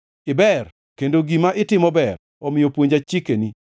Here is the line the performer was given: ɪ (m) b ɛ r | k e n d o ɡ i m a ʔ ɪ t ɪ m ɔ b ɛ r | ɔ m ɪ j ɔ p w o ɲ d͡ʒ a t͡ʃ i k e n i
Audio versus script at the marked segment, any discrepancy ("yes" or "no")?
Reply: yes